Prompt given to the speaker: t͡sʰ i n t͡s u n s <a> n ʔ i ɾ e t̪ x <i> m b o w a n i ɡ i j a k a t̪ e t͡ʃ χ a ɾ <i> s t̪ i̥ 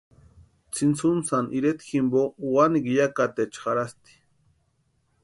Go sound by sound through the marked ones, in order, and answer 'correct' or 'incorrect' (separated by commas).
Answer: correct, correct, incorrect